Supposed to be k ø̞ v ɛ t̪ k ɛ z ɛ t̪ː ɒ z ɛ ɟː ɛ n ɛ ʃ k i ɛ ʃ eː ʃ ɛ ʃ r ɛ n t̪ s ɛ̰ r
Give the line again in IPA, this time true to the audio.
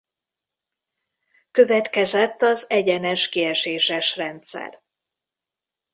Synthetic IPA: k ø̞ v ɛ t̪ k ɛ z ɛ t̪ː ɒ z ɛ ɟ ɛ n ɛ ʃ k i ɛ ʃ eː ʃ ɛ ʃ r ɛ n t̪ s ɛ̰ r

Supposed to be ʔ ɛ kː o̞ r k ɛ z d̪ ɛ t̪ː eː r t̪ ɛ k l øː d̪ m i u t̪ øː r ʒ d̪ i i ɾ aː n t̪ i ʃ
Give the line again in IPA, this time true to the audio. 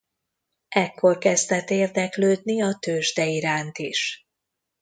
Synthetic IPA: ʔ ɛ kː o̞ r k ɛ z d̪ ɛ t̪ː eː r d̪ ɛ k l øː d̪ n i ɒ t̪ øː ʒ d̪ ɛ i ɾ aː n t̪ i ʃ

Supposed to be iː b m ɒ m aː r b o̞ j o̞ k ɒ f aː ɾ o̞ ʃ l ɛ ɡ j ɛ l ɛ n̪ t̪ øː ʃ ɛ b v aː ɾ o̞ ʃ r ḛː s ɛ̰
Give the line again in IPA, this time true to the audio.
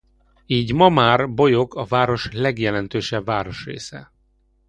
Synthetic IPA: iː ɟ m ɒ m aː r b o̞ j o̞ k ɒ v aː ɾ o̞ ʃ l ɛ ɡ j ɛ l ɛ n̪ t̪ øː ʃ ɛ b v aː ɾ o̞ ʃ r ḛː s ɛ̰

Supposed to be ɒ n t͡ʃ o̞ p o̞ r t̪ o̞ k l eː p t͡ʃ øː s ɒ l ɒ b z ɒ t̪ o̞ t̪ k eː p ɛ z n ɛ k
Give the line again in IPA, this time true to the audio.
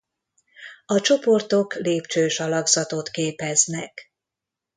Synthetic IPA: ɒ t͡ʃ o̞ p o̞ r t̪ o̞ k l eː p t͡ʃ øː ʃ ɒ l ɒ ɡ z ɒ t̪ o̞ t̪ k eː p ɛ z n ɛ k

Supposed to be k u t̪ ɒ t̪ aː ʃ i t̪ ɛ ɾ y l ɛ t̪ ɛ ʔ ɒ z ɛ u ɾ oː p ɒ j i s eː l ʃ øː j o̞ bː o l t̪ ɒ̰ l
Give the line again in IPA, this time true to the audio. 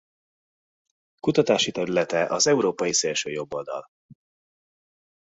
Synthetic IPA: k u t̪ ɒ t̪ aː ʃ i t̪ ɛ ɾ y l ɛ t̪ ɛ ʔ ɒ z ɛ u ɾ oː p ɒ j i s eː l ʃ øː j o̞ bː o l d̪ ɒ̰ l

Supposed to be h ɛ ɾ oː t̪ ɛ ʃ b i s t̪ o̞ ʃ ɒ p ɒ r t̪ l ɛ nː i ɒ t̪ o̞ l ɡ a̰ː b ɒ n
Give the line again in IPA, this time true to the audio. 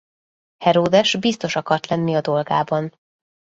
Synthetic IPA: h ɛ ɾ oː d̪ ɛ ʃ b i s t̪ o̞ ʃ ɒ k ɒ r t̪ l ɛ nː i ɒ d̪ o̞ l ɡ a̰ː b ɒ n

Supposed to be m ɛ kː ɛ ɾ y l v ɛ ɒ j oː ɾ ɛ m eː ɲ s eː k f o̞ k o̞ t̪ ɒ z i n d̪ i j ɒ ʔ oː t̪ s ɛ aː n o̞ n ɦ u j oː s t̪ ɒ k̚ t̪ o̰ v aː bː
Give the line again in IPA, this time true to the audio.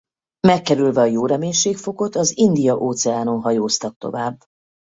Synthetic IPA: m ɛ kː ɛ ɾ y l v ɛ ɒ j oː ɾ ɛ m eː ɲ ʃ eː k f o̞ k o̞ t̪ ɒ z i n d̪ i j ɒ ʔ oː t̪ s ɛ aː n o̞ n ɦ ɒ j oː s t̪ ɒ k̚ t̪ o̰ v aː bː

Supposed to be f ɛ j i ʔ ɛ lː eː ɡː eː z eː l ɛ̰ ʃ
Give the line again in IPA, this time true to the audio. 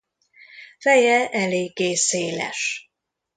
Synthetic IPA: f ɛ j ɛ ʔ ɛ l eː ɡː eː s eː l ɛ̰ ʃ

